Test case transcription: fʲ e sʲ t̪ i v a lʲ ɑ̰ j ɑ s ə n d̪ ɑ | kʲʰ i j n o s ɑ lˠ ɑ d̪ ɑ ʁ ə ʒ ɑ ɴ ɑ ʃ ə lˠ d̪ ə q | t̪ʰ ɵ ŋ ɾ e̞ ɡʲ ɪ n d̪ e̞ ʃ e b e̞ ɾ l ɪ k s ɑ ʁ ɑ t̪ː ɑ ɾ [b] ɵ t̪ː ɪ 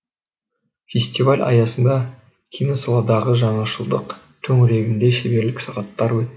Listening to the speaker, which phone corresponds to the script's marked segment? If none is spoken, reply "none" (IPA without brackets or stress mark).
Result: w